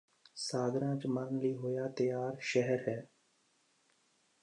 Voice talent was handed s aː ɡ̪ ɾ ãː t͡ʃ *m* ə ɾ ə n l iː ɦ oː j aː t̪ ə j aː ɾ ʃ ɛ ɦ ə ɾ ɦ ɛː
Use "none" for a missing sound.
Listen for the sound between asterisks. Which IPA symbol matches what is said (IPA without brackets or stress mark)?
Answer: m